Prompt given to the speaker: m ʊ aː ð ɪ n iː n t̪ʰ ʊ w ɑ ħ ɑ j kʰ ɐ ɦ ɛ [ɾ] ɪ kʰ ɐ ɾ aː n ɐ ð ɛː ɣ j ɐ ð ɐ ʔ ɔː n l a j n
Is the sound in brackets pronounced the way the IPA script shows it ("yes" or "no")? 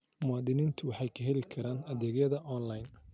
no